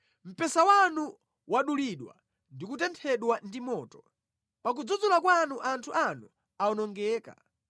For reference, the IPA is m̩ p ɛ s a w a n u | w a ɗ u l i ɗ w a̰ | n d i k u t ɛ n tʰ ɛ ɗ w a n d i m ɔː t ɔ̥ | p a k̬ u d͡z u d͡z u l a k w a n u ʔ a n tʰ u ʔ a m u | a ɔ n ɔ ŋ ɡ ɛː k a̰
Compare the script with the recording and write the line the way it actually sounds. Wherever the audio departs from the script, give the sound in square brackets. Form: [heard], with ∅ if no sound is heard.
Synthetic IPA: m̩ p ɛ s a w a n u | w a ɗ u l i ɗ w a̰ | n d i k u t ɛ n tʰ ɛ ɗ w a n d i m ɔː t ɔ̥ | p a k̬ u d͡z u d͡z u l a k w a n u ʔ a n tʰ u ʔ a [n] u | a ɔ n ɔ ŋ ɡ ɛː k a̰